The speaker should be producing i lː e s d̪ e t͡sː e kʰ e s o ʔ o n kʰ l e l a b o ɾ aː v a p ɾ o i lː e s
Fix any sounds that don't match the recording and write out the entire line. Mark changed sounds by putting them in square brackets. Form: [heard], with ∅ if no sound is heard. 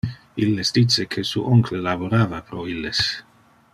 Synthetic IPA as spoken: i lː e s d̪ [i] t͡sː e kʰ e s [u] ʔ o [ŋ] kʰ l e l a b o ɾ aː v a p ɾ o i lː e s